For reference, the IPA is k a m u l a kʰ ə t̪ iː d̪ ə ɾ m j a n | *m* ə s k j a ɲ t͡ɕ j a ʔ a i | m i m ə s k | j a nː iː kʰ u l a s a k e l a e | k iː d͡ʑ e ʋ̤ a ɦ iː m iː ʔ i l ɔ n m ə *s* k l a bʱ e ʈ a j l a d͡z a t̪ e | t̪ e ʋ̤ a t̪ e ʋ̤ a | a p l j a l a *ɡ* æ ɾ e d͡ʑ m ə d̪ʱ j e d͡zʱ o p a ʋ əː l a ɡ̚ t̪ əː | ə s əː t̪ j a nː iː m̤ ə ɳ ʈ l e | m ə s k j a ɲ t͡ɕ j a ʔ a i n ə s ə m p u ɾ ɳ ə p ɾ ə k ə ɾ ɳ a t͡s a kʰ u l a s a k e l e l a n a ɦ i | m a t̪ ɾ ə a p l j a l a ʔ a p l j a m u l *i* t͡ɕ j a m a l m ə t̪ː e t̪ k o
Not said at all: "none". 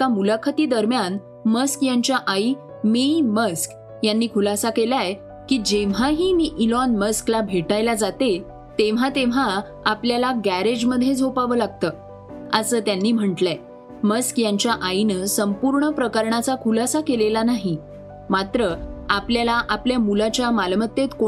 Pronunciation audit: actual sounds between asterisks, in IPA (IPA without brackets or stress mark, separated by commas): m, s, ɡ, a